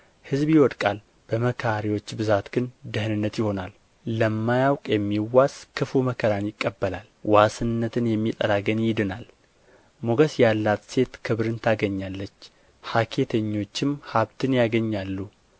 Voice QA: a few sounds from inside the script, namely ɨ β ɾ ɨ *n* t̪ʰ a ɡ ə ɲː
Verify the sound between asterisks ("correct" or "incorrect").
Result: correct